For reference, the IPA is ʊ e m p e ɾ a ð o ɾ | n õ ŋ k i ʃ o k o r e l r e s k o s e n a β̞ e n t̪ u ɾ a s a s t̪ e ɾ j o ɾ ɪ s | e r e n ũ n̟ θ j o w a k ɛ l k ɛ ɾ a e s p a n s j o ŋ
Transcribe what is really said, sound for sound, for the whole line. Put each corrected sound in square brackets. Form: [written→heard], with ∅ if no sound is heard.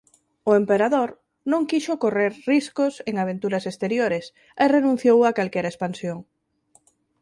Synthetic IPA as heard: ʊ e m p e ɾ a ð o ɾ | n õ ŋ k i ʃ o k o r e [l→ɾ] r [e→i] s k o s e [n→ŋ] a β̞ e n t̪ u ɾ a s [a→e] s t̪ e ɾ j o ɾ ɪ s | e r e n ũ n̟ θ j o w a k [ɛ→a] l k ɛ ɾ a e s p a n s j o ŋ